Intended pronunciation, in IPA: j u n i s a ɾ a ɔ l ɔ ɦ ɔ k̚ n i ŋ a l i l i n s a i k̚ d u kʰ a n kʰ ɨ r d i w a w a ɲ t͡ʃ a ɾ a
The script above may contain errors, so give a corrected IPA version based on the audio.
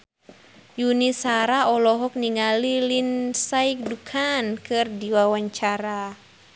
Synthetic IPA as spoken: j u n i s a ɾ a ɔ l ɔ ɦ ɔ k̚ n i ŋ a l i l i n s a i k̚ d u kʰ a n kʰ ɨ r d i w a w a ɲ t͡ʃ a ɾ a